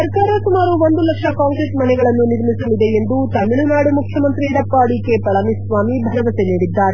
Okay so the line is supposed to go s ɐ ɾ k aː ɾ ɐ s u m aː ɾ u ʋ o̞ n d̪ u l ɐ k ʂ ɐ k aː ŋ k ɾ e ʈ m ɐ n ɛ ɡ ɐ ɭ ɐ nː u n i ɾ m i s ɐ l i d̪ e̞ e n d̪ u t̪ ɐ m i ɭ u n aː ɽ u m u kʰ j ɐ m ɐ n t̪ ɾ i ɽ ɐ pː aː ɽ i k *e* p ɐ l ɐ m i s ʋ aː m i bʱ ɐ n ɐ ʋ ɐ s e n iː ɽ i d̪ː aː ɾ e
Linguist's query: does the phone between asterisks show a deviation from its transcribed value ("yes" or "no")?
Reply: no